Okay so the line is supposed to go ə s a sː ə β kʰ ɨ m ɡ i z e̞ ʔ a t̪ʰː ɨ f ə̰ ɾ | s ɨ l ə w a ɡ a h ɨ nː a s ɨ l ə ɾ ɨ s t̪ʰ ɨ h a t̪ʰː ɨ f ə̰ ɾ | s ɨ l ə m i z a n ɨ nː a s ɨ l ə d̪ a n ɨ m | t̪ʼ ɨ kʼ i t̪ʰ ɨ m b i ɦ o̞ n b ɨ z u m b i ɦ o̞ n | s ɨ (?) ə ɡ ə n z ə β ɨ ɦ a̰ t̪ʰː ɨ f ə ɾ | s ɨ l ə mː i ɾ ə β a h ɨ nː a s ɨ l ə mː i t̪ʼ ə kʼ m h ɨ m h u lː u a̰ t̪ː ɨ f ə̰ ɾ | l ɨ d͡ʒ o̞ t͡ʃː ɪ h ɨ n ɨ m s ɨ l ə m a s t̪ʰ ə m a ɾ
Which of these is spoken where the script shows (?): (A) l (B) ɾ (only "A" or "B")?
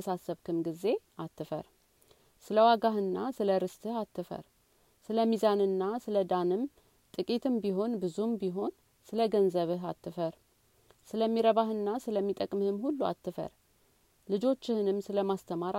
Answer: A